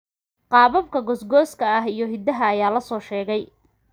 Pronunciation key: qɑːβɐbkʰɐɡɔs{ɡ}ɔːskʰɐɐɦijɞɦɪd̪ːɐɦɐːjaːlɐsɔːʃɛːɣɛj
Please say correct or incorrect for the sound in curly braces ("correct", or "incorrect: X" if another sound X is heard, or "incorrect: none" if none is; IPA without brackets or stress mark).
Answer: correct